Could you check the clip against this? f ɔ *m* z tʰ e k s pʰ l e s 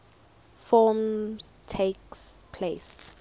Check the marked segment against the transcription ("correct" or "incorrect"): correct